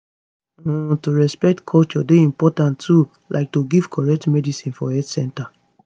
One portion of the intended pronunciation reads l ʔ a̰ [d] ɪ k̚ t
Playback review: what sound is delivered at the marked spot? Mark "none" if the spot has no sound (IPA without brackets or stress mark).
none